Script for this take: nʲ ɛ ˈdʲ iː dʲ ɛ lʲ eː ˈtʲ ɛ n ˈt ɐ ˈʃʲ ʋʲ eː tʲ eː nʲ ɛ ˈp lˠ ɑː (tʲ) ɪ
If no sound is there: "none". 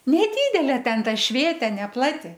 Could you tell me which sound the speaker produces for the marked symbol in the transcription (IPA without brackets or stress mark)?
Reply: tʲ